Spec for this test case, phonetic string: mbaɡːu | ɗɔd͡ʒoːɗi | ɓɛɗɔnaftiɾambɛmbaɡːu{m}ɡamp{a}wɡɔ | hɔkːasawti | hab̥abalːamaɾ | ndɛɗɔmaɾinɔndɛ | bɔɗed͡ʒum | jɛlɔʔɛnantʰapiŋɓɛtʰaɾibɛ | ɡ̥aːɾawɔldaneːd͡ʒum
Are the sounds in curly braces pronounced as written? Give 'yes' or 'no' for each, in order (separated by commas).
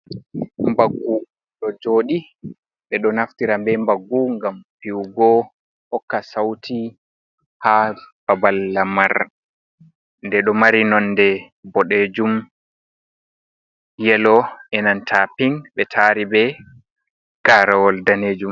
no, no